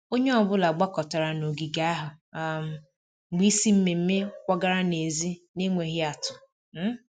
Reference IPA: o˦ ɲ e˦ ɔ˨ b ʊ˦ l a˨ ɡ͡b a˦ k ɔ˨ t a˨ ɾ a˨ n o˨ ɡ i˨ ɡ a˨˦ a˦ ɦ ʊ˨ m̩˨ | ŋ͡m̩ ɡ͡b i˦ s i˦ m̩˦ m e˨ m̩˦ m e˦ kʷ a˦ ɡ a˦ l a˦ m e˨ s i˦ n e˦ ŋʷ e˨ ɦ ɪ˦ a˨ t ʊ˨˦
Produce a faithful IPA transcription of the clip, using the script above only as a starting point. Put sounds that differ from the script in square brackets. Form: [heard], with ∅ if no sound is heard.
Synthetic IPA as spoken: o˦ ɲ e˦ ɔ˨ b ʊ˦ l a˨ ɡ͡b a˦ k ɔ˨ t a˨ ɾ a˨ n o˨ ɡ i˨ ɡ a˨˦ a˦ ɦ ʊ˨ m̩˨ | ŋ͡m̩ ɡ͡b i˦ s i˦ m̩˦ m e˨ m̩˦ m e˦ kʷ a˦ ɡ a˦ [ɾ] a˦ [n] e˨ [z] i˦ n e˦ ŋʷ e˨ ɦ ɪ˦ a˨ t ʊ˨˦